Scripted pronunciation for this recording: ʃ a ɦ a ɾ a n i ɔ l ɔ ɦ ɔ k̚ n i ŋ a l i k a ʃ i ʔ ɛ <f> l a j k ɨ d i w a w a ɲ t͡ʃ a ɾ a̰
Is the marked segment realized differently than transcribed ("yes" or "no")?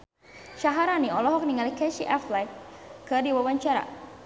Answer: no